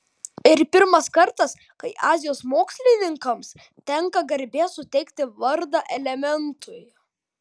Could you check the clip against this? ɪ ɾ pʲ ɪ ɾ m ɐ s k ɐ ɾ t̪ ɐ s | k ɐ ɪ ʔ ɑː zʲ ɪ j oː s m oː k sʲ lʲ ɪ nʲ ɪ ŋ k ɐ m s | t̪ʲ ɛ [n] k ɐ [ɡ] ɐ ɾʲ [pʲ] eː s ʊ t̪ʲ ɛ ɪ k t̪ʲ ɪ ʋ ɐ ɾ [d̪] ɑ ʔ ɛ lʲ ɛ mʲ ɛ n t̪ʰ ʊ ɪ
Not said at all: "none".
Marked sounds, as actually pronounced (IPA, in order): ŋ, ɡ, bʲ, d̪

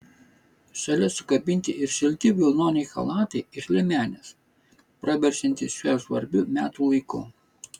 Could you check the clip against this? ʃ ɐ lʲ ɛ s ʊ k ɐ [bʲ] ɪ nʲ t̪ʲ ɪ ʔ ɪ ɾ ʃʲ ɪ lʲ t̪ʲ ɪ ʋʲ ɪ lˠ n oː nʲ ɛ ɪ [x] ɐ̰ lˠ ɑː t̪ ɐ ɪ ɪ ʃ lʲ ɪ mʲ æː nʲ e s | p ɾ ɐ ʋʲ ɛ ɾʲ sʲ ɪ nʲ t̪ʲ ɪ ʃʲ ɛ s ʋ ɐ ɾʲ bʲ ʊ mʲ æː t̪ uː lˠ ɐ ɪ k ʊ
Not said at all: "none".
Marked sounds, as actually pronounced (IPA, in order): bʲ, x

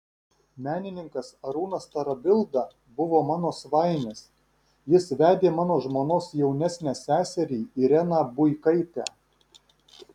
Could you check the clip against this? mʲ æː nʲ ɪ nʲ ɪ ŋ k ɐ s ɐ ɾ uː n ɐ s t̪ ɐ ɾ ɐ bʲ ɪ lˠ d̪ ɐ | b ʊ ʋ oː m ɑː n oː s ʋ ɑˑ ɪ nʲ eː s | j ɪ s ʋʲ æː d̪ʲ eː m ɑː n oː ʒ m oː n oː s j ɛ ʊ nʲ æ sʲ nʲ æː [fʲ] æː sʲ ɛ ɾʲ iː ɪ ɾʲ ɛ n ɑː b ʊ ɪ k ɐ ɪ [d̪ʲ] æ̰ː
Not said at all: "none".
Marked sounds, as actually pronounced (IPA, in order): sʲ, t̪ʲ

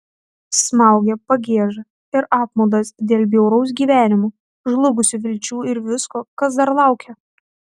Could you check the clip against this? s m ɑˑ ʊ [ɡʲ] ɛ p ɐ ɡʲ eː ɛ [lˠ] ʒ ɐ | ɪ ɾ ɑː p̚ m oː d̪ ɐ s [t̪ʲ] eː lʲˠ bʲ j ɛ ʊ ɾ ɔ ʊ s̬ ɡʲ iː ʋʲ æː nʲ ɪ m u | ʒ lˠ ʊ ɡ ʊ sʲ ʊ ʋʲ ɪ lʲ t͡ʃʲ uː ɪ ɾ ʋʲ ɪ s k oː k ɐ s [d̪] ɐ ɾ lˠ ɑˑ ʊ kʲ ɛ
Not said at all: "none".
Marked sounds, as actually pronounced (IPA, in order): ɡʲ, none, d̪ʲ, d̪

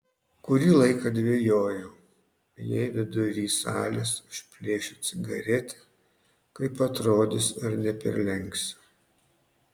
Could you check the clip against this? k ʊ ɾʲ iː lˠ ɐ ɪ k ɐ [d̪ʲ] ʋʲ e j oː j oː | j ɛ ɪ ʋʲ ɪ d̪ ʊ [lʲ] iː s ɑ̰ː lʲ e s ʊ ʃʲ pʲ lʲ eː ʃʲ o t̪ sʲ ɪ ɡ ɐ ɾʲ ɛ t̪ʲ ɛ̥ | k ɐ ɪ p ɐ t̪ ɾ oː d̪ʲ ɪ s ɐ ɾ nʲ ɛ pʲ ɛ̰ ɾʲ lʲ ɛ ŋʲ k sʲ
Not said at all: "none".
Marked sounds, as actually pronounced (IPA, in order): d̪ʲ, ɾʲ

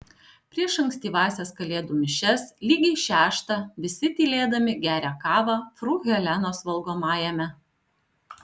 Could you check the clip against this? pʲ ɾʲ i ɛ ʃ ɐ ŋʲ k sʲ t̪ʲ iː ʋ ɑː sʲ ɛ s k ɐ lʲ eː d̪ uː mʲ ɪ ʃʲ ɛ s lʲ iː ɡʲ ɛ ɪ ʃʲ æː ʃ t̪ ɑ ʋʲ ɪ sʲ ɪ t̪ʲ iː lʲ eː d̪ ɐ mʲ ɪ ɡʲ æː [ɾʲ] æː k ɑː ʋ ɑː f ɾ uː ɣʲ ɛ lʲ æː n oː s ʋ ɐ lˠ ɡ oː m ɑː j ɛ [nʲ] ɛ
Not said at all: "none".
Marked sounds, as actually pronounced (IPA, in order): ɾʲ, mʲ

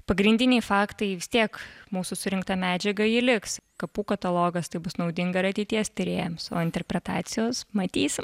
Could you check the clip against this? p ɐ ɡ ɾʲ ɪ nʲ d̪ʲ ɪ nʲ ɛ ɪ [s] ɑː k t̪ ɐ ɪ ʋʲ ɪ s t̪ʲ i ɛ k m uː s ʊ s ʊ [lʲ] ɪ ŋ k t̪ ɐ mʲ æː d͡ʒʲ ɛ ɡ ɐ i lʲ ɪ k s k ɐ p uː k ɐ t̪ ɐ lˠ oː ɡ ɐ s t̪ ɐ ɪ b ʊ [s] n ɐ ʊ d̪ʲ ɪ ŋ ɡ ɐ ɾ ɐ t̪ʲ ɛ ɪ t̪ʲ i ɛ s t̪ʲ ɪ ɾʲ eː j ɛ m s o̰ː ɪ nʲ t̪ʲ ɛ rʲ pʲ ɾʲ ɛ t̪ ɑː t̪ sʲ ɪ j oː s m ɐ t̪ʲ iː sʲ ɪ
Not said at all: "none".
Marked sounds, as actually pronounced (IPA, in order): f, ɾʲ, s

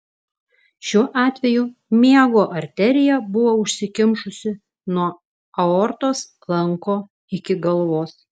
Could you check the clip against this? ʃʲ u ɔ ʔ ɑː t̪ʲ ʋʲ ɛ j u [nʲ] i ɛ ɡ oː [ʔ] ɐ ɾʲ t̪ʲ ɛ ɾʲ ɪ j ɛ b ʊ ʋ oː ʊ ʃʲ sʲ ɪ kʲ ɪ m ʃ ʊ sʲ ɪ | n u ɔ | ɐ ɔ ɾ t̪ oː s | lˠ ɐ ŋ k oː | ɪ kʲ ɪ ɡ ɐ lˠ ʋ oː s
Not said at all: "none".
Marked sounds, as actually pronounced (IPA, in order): mʲ, ʔ

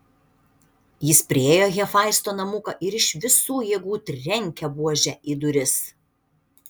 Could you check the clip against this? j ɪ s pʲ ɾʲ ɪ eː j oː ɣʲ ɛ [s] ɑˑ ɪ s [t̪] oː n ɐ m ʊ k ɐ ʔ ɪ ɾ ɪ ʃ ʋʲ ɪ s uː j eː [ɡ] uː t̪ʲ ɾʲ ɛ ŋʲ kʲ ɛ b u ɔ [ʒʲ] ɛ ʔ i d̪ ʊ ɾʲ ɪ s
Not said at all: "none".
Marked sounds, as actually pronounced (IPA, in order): f, t̪, ɡ, ʒʲ

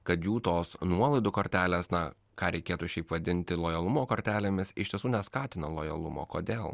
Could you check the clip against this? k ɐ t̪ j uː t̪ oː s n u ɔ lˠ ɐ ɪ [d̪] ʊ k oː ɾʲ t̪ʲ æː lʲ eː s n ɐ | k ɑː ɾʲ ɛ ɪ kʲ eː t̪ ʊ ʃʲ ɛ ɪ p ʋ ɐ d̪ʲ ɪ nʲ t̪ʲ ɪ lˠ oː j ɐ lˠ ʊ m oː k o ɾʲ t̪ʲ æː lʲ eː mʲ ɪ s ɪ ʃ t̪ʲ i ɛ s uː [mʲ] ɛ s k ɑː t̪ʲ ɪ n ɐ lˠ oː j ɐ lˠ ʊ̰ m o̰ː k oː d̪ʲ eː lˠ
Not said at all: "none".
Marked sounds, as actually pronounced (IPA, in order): d̪, nʲ

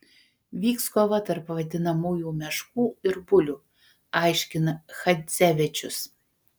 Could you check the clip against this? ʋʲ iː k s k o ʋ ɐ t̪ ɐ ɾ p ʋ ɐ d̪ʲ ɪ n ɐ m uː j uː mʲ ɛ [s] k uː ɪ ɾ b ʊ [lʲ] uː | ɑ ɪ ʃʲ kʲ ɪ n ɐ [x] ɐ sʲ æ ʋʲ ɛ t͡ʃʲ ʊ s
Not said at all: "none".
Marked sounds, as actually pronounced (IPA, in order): ʃ, lʲ, x

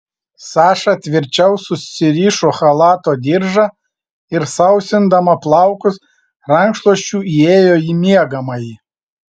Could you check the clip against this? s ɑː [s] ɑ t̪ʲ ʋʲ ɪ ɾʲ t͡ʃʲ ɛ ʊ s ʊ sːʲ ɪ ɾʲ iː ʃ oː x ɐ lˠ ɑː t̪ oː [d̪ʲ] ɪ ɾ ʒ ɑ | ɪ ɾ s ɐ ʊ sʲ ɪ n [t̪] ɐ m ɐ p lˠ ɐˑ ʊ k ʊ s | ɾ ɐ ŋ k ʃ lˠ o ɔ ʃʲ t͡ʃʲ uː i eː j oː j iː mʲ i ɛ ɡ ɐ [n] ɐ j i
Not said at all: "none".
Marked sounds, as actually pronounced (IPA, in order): ʃ, d̪ʲ, d̪, m

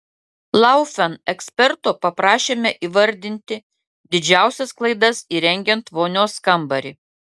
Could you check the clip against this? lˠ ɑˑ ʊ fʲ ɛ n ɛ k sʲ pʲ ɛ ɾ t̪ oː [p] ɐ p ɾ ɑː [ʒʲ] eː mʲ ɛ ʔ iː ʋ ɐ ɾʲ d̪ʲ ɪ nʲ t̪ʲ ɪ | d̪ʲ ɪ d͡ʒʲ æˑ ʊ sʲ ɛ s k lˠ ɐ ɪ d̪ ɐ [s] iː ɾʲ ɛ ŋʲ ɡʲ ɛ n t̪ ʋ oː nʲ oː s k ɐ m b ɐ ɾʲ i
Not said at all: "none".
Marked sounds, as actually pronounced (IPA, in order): p, ʃʲ, s

